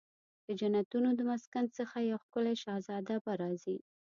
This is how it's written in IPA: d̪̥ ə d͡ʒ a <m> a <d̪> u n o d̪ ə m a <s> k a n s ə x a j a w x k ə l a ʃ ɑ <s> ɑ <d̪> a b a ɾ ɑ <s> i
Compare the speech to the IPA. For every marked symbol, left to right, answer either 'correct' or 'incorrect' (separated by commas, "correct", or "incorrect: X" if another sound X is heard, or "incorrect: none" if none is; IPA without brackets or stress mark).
incorrect: n, incorrect: t̪, correct, incorrect: z, correct, incorrect: z